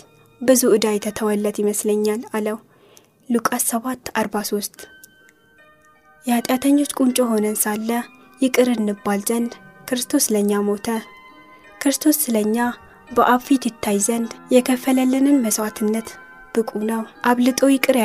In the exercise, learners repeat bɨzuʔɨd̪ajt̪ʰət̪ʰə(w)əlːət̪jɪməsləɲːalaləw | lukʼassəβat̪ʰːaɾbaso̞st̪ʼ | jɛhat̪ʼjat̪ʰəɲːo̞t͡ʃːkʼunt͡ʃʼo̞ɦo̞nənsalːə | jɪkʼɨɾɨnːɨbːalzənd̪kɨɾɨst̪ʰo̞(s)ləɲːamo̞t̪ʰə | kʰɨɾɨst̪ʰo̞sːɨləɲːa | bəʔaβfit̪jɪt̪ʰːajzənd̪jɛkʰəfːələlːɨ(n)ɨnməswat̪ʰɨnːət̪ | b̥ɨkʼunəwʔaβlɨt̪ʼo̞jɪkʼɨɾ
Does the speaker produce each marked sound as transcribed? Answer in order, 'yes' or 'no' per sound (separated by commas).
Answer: yes, yes, yes